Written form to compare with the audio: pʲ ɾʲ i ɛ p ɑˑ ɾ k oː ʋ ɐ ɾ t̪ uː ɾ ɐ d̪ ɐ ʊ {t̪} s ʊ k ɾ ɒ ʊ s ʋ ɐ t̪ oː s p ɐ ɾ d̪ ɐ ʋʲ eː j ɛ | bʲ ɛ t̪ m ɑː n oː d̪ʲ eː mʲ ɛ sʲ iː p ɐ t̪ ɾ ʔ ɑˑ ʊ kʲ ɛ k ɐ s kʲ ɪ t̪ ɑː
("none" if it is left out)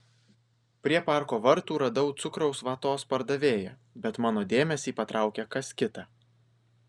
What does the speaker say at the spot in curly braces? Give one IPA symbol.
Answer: t̪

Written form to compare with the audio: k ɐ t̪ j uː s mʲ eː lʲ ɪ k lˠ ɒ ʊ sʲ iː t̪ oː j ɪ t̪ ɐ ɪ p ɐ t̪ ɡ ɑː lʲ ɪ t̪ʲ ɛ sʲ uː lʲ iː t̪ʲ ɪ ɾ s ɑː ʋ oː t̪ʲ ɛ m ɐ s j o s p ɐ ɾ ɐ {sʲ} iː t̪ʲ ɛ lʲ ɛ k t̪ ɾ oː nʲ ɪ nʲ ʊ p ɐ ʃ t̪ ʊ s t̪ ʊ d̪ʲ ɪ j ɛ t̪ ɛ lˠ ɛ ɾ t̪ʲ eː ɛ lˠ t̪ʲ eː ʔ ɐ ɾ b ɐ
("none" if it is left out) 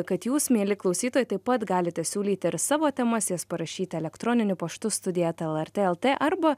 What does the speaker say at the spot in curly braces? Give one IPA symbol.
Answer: ʃʲ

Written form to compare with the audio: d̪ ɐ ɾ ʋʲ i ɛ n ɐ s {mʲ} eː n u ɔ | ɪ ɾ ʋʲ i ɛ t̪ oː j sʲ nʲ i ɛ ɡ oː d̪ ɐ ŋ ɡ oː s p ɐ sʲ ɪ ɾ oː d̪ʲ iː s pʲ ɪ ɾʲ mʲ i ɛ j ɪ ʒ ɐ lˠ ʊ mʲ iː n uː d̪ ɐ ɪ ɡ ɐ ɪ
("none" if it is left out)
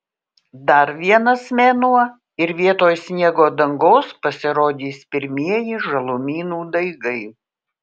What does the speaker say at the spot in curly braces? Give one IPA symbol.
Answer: mʲ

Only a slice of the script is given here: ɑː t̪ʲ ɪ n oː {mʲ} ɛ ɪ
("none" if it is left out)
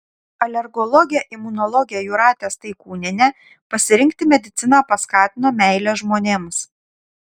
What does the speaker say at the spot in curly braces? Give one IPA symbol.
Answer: mʲ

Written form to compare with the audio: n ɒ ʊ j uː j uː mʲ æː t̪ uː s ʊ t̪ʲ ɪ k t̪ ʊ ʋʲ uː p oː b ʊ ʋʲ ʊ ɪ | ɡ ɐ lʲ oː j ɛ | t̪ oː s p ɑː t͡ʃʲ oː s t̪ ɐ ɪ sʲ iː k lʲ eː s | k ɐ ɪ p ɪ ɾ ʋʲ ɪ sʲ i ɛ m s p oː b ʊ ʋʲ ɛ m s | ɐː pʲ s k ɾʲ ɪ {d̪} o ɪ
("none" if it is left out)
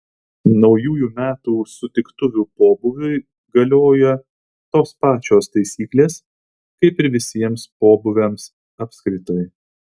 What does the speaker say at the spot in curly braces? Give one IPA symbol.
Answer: t̪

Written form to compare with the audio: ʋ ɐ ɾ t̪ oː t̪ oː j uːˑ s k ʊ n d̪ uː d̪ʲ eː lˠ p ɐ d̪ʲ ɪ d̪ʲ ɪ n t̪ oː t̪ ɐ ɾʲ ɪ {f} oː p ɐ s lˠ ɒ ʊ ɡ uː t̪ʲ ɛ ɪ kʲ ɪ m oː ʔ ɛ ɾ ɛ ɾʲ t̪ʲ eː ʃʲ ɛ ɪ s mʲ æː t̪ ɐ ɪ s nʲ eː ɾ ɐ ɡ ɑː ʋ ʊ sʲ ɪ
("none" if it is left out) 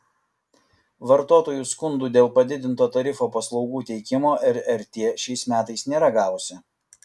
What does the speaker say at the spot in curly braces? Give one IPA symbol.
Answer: f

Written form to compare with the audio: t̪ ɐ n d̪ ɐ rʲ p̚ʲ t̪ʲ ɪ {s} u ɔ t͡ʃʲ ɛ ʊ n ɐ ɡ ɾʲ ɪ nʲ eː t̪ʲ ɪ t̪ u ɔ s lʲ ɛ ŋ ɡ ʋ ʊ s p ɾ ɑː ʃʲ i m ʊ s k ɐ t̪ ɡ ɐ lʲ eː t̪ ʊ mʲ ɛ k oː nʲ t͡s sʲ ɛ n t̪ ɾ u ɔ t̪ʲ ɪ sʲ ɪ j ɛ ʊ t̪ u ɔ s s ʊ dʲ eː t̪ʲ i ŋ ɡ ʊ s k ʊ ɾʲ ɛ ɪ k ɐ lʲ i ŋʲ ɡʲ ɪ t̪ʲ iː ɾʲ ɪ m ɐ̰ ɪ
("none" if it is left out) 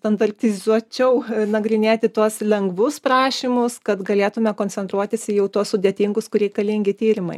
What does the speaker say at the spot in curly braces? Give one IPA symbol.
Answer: z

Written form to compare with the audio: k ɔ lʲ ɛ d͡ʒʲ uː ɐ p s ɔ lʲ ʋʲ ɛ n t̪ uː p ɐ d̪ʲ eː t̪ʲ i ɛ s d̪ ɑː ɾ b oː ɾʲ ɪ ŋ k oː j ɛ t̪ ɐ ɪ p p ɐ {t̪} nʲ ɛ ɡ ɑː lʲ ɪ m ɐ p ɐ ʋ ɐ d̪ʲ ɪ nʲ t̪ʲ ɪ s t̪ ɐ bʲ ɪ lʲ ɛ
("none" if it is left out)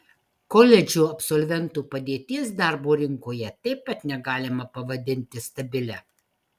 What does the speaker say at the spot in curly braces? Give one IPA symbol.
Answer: t̪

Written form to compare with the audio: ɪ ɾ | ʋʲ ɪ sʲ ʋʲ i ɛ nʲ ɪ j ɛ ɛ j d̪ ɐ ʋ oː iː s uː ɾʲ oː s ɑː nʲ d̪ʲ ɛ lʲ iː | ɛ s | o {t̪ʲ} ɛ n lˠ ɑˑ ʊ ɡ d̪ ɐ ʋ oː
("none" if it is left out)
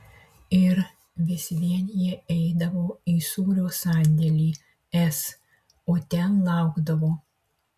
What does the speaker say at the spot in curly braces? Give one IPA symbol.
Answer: t̪ʲ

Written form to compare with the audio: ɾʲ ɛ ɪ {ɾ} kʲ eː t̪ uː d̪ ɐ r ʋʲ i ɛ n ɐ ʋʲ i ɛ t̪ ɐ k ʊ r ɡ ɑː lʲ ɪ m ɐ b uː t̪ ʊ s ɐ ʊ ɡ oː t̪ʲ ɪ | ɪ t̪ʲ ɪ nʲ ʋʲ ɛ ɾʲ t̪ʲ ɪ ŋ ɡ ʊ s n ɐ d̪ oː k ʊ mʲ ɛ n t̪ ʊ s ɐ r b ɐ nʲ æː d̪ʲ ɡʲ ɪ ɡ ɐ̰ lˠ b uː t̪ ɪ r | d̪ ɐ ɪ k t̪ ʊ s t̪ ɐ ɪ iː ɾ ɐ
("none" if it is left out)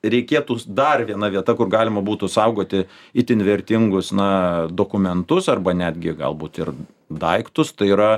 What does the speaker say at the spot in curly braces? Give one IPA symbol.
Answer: none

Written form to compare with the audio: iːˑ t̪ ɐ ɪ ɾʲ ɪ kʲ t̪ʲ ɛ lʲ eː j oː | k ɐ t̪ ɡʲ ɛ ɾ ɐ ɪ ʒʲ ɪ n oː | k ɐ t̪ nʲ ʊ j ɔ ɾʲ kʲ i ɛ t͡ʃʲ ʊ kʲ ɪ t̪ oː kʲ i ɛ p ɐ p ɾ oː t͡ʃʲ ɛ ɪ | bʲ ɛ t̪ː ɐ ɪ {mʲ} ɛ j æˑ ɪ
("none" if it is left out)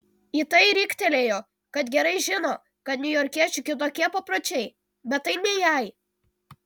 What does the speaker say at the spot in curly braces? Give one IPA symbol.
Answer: nʲ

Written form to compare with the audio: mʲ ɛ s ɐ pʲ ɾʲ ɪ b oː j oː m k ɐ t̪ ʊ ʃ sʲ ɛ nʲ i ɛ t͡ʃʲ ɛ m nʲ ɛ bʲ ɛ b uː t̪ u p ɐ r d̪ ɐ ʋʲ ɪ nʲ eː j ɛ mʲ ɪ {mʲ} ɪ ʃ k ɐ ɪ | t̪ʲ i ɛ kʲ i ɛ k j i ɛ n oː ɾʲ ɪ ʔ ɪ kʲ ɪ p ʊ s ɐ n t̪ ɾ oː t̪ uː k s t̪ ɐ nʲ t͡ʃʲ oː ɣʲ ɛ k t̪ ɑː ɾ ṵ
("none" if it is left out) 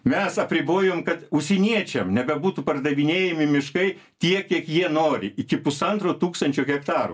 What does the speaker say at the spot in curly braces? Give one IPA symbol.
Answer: mʲ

